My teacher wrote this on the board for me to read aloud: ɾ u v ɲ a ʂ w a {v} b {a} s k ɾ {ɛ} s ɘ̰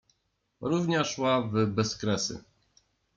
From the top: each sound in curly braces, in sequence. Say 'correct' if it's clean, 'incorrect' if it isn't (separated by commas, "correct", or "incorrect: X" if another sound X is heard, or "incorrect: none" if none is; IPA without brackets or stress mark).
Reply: correct, incorrect: ɛ, correct